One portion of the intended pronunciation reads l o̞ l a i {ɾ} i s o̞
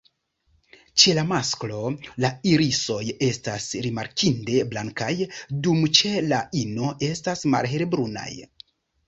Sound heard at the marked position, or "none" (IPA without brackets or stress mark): ɾ